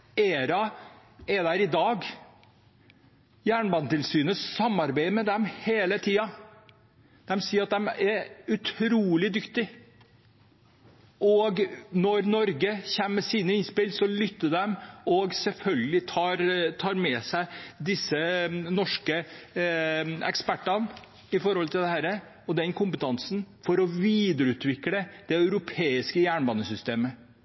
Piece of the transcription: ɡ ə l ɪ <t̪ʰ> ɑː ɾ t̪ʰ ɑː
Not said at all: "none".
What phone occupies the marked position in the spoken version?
t̪ʰ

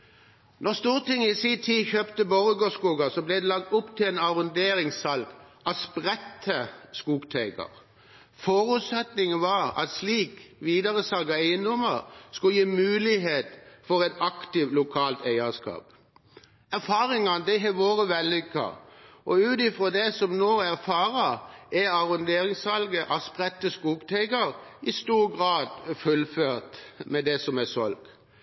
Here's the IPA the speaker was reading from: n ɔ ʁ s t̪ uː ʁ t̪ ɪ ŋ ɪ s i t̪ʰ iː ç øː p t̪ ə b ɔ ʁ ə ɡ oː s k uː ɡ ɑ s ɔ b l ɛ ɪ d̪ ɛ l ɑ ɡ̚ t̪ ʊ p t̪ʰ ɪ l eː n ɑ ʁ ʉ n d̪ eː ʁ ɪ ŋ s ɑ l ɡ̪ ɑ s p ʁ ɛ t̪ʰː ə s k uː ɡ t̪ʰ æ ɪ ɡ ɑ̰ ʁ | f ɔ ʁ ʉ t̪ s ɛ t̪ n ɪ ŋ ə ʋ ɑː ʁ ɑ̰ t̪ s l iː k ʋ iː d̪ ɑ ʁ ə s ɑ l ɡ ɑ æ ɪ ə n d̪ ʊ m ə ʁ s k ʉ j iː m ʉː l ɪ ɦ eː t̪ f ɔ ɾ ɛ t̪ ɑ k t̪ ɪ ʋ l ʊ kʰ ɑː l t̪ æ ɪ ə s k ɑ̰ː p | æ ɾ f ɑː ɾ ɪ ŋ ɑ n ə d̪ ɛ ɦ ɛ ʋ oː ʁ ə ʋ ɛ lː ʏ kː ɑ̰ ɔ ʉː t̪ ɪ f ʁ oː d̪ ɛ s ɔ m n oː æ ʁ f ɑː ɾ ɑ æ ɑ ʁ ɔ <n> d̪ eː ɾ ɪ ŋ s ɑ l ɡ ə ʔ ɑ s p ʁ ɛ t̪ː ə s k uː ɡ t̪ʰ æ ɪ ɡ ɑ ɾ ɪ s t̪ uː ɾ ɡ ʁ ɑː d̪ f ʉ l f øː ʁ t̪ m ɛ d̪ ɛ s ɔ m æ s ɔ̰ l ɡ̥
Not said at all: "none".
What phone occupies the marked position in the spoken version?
n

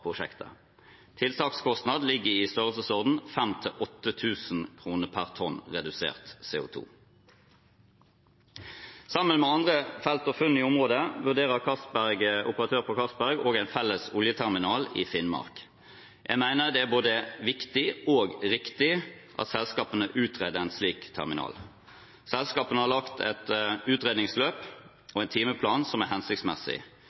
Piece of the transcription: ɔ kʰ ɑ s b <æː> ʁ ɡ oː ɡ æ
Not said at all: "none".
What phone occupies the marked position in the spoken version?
æ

